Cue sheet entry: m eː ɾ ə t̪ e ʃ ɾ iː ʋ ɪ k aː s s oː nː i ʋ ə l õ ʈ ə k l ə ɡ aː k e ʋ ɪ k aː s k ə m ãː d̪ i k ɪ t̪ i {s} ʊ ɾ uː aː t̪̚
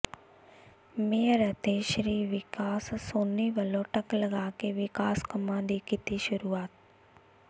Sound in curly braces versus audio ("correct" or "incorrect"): incorrect